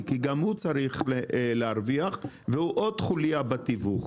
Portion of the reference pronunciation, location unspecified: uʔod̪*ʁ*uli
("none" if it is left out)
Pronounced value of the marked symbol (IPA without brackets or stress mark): χ